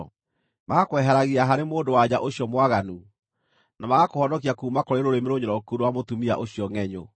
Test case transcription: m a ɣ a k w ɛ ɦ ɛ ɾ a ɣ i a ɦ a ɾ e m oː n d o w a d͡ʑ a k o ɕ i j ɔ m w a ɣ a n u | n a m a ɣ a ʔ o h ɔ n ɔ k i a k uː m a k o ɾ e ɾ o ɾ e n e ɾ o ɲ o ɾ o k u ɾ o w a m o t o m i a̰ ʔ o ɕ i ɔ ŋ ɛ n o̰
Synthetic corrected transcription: m a ɣ a k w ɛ ɦ ɛ ɾ a ɣ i a ɦ a ɾ e m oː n d o w a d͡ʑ a ʔ o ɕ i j ɔ m w a ɣ a n u | n a m a ɣ a k o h ɔ n ɔ k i a k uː m a k o ɾ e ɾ o ɾ e m e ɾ o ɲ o ɾ ɔ k u ɾ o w a m o t u m i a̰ ʔ o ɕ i ɔ ŋ ɛ ɲ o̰